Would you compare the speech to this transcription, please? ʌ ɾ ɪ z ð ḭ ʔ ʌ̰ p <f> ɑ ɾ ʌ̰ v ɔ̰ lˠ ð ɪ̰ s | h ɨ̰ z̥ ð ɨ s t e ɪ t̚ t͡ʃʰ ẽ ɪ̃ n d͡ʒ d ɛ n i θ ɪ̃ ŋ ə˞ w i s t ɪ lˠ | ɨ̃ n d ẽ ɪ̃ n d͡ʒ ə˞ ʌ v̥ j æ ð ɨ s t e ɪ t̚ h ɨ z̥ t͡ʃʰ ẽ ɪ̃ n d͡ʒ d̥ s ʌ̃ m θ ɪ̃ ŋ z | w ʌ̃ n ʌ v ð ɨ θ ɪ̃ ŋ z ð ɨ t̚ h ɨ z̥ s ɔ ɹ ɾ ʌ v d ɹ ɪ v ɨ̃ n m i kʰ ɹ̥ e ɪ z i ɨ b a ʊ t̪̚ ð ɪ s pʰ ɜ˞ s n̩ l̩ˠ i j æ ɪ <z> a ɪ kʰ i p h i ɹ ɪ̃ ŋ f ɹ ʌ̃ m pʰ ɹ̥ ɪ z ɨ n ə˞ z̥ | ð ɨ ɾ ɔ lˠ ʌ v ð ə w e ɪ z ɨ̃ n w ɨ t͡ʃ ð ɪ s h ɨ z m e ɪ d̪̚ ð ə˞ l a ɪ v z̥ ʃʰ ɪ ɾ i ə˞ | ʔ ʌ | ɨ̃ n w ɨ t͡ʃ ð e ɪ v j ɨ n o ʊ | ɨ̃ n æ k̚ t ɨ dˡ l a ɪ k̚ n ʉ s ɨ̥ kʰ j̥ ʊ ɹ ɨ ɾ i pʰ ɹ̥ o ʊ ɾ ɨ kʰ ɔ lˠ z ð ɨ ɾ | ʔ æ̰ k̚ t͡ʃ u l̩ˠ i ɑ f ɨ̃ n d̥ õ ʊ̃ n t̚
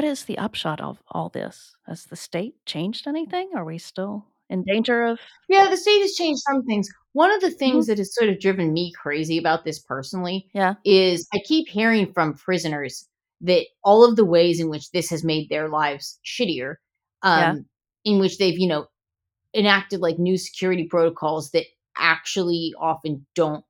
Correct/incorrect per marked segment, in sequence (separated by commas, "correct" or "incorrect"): incorrect, correct